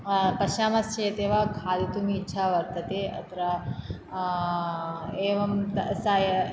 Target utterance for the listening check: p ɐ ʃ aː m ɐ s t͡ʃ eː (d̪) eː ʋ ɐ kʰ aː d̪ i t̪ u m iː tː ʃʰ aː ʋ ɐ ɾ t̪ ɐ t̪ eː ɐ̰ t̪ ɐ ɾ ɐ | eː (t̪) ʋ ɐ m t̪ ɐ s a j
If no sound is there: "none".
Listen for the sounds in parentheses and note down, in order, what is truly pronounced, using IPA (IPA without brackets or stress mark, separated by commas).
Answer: t̪, none